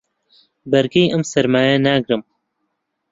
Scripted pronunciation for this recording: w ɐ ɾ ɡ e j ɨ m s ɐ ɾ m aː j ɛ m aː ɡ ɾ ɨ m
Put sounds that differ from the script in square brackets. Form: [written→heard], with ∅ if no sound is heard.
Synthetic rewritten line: [w→b] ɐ ɾ ɡ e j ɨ m s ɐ ɾ m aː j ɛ [m→n] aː ɡ ɾ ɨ m